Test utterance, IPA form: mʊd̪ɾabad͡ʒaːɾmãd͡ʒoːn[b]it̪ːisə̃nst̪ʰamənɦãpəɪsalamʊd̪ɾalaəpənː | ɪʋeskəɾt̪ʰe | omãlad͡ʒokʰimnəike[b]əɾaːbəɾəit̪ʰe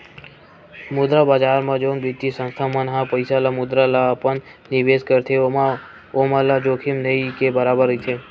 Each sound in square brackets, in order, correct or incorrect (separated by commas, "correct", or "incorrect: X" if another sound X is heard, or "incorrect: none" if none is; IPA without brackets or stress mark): correct, correct